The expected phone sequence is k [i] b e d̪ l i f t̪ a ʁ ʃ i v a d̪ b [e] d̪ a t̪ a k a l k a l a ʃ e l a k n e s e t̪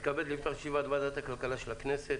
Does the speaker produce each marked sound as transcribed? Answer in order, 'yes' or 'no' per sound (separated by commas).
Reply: no, no